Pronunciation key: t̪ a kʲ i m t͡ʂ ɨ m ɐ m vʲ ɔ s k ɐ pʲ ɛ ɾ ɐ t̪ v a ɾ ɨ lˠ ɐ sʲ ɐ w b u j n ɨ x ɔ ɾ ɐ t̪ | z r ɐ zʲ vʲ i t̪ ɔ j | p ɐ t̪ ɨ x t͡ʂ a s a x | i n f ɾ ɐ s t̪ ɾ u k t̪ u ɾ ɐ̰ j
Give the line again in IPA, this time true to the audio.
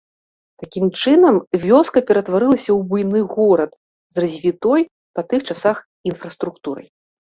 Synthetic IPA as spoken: t̪ a kʲ i m t͡ʂ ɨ n ɐ m vʲ ɔ s k ɐ pʲ ɛ ɾ ɐ t̪ v a ɾ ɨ lˠ ɐ sʲ ɐ w b u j n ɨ ɣ ɔ ɾ ɐ t̪ | z r ɐ zʲ vʲ i t̪ ɔ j | p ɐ t̪ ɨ x t͡ʂ a s a x | i n f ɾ ɐ s t̪ ɾ u k t̪ u ɾ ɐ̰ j

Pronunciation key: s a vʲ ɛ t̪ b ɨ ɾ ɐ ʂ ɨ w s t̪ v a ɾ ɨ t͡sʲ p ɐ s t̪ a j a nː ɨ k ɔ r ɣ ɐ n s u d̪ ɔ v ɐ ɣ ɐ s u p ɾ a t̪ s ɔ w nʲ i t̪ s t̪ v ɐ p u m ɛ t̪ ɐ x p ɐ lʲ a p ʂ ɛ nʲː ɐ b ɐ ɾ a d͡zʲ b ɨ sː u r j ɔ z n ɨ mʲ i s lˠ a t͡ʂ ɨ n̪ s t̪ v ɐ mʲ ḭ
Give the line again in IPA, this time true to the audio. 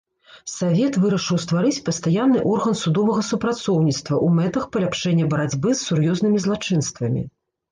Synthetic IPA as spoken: s a vʲ ɛ t̪ v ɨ ɾ ɐ ʂ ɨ w s t̪ v a ɾ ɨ t͡sʲ p ɐ s t̪ a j a nː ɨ ʔ ɔ r ɣ ɐ n s u d̪ ɔ v ɐ ɣ ɐ s u p ɾ a t̪ s ɔ w nʲ i t̪ s t̪ v ɐ ʔ u m ɛ t̪ ɐ x p ɐ lʲ a p ʂ ɛ nʲː ɐ b ɐ ɾ a d͡zʲ b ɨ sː u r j ɔ z n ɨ mʲ i z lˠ a t͡ʂ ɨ n̪ s t̪ v ɐ mʲ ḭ

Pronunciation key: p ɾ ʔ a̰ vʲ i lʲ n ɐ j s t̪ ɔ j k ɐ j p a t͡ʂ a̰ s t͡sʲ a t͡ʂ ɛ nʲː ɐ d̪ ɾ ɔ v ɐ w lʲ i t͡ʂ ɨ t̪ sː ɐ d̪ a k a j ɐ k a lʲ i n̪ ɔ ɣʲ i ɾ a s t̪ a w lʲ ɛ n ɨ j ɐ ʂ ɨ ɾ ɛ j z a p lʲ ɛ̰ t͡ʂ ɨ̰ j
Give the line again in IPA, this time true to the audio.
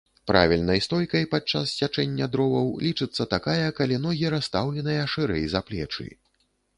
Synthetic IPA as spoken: p ɾ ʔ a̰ vʲ i lʲ n ɐ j s t̪ ɔ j k ɐ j p a t͡ʂ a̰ s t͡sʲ a t͡ʂ ɛ nʲː ɐ d̪ ɾ ɔ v ɐ w lʲ i t͡ʂ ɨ t̪ sː ɐ t̪ a k a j ɐ k a lʲ i n̪ ɔ ɣʲ i ɾ a s t̪ a w lʲ ɛ n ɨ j ɐ ʂ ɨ ɾ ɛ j z a p lʲ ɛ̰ t͡ʂ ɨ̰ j

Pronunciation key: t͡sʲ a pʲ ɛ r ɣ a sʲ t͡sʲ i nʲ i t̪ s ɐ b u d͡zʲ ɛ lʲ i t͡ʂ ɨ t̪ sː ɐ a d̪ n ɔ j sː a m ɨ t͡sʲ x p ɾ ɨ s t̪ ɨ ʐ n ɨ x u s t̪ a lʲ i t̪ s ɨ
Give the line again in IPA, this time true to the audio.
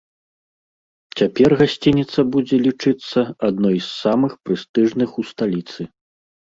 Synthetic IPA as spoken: t͡sʲ a pʲ ɛ r ɣ a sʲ t͡sʲ i nʲ i t̪ s ɐ b u d͡zʲ ɛ lʲ i t͡ʂ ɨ t̪ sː ɐ a d̪ n ɔ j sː a m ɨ x p ɾ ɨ s t̪ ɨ ʐ n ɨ x u s t̪ a lʲ i t̪ s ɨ

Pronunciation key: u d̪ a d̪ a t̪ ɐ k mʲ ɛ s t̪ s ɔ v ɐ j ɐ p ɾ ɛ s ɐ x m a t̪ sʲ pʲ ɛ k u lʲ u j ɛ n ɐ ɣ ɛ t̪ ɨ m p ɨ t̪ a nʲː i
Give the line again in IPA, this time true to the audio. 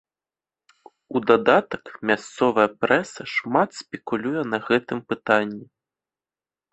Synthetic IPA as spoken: u d̪ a d̪ a t̪ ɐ k mʲ a s t̪ s ɔ v ɐ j ɐ p ɾ ɛ s ɐ ʂ m a t̪ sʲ pʲ ɛ k u lʲ u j ɛ n ɐ ɣ ɛ t̪ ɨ m p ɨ t̪ a nʲː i

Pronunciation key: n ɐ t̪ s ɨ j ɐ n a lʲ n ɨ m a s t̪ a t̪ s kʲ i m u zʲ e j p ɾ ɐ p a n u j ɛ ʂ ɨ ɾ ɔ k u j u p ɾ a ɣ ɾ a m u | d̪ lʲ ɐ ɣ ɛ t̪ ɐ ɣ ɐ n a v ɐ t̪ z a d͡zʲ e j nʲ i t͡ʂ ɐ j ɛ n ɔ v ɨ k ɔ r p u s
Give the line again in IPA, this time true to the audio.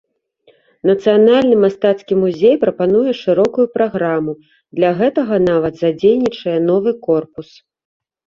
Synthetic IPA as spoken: n ɐ t̪ s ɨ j a n a lʲ n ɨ m a s t̪ a t̪ s kʲ i m u zʲ e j p ɾ ɐ p a n u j ɛ ʂ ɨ ɾ ɔ k u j u p ɾ a ɣ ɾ a m u | d̪ lʲ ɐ ɣ ɛ t̪ ɐ ɣ ɐ n a v ɐ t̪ z a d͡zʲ e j nʲ i t͡ʂ ɐ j ɛ n ɔ v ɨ k ɔ r p u s

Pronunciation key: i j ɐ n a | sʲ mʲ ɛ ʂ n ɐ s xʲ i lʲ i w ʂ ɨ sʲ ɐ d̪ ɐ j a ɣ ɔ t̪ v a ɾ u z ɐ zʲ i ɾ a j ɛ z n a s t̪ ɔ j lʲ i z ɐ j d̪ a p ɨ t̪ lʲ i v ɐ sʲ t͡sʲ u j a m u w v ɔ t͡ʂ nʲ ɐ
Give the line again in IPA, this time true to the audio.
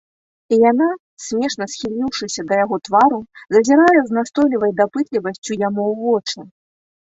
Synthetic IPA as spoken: i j a n a | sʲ mʲ ɛ ʂ n ɐ s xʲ i lʲ i w ʂ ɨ sʲ ɐ d̪ ɐ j a ɣ ɔ t̪ v a ɾ u z ɐ zʲ i ɾ a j ɛ z n a s t̪ ɔ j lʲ i v ɐ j d̪ a p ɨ t̪ lʲ i v ɐ sʲ t͡sʲ u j a m u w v ɔ t͡ʂ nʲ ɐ

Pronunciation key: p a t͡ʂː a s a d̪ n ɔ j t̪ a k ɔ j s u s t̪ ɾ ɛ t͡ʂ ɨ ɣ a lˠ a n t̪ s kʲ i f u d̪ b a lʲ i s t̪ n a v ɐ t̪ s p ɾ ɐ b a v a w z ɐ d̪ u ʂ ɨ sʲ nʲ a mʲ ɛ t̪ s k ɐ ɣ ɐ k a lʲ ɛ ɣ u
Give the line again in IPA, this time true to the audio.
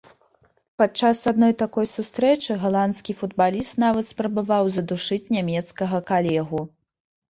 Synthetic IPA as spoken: p a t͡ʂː a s a d̪ n ɔ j t̪ a k ɔ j s u s t̪ ɾ ɛ t͡ʂ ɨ ɣ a lˠ a n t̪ s kʲ i f u d̪ b a lʲ i s t̪ n a v ɐ t̪ s p ɾ ɐ b a v a w z ɐ d̪ u ʂ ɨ t͡sʲ nʲ a mʲ ɛ t̪ s k ɐ ɣ ɐ k a lʲ ɛ ɣ u

